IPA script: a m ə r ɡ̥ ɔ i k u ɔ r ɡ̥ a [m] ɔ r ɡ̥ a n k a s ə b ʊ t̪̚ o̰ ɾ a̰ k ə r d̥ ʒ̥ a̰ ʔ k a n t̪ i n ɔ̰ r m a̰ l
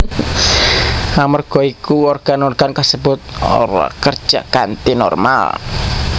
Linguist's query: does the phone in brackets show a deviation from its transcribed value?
yes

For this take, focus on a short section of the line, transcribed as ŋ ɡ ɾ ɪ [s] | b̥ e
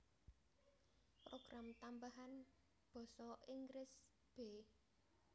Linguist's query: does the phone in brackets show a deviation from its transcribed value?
no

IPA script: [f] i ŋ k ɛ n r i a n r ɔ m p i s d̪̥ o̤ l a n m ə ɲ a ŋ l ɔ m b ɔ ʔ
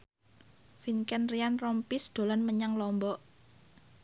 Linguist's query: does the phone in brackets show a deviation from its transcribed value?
no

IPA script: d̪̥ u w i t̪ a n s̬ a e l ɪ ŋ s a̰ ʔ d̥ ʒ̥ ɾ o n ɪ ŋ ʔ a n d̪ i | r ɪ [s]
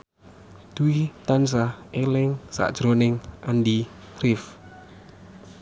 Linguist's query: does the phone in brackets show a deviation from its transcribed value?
yes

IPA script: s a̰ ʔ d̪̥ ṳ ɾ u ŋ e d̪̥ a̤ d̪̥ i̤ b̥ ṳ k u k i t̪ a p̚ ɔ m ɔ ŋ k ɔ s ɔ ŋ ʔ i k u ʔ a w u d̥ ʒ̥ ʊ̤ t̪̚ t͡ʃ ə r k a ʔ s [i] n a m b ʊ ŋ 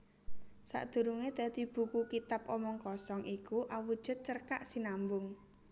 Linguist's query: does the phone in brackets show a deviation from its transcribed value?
no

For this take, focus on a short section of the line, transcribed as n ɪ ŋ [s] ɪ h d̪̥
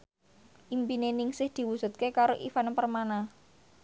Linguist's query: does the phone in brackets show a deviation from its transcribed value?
no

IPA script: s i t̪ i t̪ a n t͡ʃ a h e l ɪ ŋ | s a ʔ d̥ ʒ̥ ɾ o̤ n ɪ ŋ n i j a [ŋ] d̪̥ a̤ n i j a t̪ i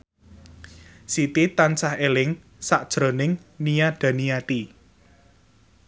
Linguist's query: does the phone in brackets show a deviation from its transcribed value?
yes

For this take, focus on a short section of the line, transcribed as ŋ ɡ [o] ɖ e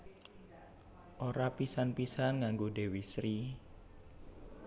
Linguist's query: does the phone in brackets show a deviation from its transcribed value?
no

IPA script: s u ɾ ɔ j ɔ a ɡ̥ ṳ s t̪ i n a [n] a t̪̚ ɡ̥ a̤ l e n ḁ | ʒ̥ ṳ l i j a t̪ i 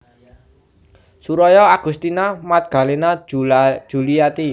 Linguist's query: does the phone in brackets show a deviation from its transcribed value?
yes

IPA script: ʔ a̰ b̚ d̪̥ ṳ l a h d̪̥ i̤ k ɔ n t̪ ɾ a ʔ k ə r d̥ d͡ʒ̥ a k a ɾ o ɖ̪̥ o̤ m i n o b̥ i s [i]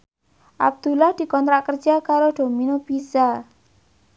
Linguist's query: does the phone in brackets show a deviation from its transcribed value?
yes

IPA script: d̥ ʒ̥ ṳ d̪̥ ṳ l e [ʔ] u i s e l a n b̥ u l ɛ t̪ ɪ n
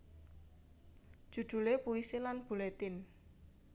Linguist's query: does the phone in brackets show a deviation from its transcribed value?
yes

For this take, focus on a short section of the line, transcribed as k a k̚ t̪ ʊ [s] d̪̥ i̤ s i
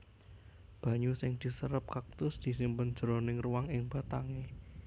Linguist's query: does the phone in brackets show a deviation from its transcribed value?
no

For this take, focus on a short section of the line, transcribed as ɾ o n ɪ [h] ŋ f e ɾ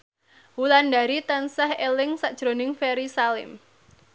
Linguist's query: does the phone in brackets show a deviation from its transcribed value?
yes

